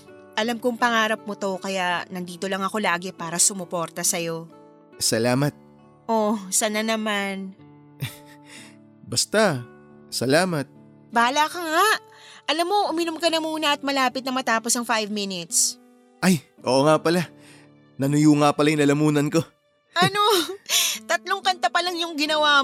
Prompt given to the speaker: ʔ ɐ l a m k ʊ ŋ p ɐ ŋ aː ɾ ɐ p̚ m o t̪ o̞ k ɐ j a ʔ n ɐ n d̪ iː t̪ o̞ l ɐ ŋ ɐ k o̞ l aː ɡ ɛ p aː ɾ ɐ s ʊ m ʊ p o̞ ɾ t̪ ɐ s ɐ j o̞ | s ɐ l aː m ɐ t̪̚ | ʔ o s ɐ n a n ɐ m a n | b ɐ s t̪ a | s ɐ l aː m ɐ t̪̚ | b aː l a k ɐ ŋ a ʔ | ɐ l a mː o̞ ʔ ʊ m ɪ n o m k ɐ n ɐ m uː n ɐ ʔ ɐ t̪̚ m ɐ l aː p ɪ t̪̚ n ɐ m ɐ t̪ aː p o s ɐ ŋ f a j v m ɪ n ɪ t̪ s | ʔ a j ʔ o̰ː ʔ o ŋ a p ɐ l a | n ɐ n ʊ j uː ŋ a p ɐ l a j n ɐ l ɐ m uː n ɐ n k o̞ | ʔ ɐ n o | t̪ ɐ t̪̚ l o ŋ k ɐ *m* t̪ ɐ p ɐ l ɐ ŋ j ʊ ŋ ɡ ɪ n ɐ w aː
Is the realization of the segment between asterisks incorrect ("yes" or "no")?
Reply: yes